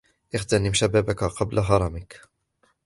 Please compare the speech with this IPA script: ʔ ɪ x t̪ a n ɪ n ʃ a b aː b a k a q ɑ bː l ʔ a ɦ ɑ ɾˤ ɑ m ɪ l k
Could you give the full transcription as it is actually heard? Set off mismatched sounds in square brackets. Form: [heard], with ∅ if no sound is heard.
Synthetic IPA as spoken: ʔ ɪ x t̪ a n ɪ [m] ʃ a b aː b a k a q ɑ [b] l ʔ a ɦ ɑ ɾˤ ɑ m ɪ [∅] k